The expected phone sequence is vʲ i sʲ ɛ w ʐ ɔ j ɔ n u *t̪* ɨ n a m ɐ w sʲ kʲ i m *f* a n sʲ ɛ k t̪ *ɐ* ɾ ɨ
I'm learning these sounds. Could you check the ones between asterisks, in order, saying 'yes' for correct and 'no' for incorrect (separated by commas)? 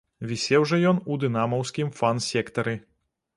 no, yes, yes